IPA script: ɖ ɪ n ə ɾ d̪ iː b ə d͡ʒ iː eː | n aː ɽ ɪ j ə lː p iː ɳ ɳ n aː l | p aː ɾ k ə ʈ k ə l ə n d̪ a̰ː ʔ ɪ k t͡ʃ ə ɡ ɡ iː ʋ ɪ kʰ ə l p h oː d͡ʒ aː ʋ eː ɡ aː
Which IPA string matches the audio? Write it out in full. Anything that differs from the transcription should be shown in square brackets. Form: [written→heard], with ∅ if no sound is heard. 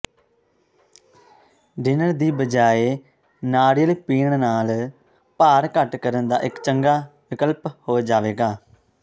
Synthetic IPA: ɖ ɪ n ə ɾ d̪ iː b ə d͡ʒ [iː→aː] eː | n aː ɽ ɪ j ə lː p iː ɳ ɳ n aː l | p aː ɾ k ə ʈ k ə [l→ɾ] ə n d̪ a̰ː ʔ ɪ k t͡ʃ ə [ɡ→ŋ] ɡ [iː→aː] ʋ ɪ [kʰ→k] ə l p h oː d͡ʒ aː ʋ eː ɡ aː